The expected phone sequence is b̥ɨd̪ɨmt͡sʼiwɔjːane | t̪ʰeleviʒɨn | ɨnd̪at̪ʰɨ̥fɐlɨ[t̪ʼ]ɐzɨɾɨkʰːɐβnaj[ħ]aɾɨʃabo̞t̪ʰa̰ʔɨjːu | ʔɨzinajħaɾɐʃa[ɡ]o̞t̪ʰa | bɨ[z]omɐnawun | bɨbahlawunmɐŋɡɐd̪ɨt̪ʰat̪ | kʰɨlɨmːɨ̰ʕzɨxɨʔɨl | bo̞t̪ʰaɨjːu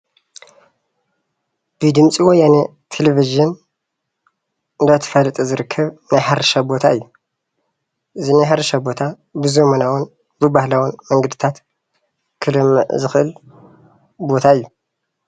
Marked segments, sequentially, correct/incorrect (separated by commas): correct, correct, incorrect, correct